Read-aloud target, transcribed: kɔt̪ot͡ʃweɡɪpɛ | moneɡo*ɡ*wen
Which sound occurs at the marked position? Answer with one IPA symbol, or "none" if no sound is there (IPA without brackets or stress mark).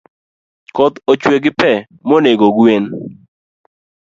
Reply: ɡ